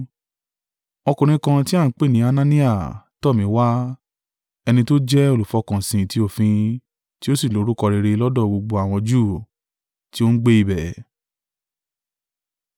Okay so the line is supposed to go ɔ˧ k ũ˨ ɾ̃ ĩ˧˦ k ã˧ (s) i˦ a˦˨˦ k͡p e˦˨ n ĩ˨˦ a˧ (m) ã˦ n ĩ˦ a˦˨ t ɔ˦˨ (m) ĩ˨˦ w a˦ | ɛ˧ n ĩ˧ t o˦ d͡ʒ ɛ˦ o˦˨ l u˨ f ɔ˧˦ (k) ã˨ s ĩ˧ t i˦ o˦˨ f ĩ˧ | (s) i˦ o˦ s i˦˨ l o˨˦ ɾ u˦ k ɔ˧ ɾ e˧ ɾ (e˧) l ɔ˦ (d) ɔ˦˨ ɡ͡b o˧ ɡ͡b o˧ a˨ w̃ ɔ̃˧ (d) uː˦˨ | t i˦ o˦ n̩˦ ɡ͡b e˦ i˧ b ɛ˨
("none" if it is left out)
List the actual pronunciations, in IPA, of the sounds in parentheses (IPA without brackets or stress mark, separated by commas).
t, n, m, k, t, e˧, d, d͡ʒ